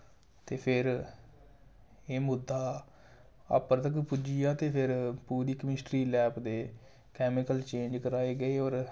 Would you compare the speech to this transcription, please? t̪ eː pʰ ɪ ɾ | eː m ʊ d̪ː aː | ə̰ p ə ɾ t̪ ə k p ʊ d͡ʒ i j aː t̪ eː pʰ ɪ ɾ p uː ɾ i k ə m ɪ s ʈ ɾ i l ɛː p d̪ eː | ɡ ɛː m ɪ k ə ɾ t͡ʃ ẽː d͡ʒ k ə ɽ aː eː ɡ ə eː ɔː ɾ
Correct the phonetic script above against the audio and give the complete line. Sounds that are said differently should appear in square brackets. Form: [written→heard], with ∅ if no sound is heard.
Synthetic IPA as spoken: t̪ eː pʰ ɪ ɾ | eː m ʊ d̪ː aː | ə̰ p ə ɾ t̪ ə k p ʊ d͡ʒ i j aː t̪ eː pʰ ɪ ɾ p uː ɾ [i→iː] k ə m ɪ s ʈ ɾ [i→iː] l ɛː p d̪ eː | [ɡ→k] ɛː m ɪ k ə [ɾ→l] t͡ʃ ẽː d͡ʒ k ə [ɽ→ɾ] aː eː ɡ ə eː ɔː ɾ